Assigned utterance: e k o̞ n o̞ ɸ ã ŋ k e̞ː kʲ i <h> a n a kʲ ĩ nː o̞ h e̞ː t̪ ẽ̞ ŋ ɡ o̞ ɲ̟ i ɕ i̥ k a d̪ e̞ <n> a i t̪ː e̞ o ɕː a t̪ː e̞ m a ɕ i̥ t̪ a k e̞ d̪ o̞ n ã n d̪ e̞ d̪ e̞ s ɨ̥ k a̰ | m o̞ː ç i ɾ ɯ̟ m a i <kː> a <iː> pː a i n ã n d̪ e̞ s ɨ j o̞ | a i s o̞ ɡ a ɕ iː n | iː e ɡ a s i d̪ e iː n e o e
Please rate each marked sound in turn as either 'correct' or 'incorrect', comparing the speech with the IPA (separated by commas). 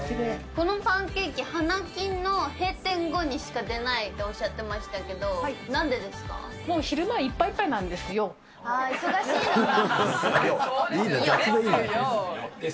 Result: correct, correct, incorrect, incorrect